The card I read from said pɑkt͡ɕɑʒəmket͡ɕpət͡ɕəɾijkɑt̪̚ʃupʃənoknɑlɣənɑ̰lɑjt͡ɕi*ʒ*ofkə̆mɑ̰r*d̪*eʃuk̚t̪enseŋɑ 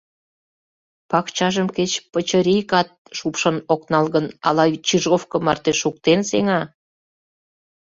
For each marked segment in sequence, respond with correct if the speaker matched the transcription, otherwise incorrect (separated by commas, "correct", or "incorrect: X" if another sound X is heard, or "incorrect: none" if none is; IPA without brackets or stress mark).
correct, incorrect: t̪